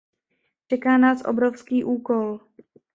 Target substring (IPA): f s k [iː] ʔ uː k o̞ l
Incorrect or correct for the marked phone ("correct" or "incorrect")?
correct